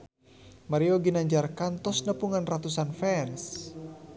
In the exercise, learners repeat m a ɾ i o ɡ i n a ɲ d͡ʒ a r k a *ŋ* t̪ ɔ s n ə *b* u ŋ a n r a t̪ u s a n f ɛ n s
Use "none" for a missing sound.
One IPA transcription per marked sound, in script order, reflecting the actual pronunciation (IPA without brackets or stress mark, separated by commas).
n, p